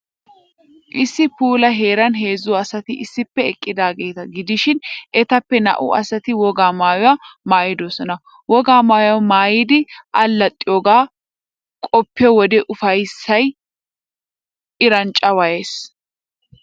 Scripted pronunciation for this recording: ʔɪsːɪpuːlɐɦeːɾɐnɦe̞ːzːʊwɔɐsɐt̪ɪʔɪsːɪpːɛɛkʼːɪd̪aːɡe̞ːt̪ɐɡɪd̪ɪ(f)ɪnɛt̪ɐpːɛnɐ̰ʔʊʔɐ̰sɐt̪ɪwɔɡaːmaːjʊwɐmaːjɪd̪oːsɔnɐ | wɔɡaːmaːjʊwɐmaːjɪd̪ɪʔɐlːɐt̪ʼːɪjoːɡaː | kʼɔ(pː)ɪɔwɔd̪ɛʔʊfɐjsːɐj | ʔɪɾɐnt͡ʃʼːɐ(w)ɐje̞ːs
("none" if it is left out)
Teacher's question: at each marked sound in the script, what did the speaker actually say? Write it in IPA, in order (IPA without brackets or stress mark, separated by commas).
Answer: ʃ, pː, w